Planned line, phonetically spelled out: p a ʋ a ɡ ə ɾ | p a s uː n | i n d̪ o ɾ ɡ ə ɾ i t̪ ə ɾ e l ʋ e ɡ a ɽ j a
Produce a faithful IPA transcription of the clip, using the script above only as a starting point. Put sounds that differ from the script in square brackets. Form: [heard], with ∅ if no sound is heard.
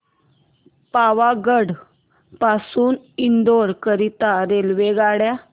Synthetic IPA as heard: p a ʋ a ɡ ə [ɽ] | p a s uː n | i n d̪ o ɾ [k] ə ɾ i t̪ [a] ɾ e l ʋ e ɡ a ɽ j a